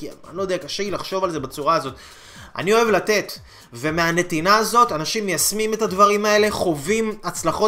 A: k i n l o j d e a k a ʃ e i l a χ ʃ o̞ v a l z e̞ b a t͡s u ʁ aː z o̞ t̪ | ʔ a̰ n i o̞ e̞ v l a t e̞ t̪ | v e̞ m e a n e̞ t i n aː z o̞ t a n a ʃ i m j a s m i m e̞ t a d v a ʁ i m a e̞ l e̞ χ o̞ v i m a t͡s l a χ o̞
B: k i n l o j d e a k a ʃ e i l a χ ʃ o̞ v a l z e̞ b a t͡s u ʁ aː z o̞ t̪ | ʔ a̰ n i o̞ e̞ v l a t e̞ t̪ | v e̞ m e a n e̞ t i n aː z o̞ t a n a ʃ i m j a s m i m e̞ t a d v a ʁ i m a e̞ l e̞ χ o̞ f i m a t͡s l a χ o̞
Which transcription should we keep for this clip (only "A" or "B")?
A